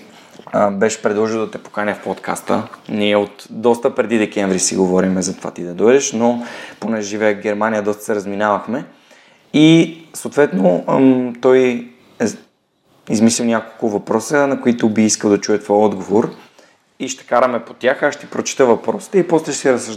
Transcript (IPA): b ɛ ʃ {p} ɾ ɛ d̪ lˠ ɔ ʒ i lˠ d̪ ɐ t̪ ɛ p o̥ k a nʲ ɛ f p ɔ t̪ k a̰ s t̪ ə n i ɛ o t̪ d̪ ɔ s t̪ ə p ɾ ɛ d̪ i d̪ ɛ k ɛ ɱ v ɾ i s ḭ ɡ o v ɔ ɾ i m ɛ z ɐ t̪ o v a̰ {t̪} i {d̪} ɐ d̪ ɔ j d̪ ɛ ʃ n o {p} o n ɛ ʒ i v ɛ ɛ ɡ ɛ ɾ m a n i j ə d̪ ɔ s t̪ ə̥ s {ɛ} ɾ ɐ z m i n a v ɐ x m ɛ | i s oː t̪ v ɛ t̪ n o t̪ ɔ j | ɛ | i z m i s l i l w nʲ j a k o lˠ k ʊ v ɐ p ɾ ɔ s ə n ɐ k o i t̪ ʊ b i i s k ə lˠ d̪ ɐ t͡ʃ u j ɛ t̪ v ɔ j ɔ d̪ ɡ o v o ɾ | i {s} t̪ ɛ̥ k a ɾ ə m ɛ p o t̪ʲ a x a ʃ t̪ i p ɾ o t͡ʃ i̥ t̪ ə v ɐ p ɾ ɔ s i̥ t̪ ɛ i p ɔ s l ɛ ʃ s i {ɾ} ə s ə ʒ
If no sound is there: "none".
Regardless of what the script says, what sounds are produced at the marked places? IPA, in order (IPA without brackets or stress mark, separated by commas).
p, t̪, d̪, p, ɛ, ʃ, ɾ